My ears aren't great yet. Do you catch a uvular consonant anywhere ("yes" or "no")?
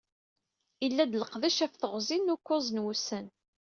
yes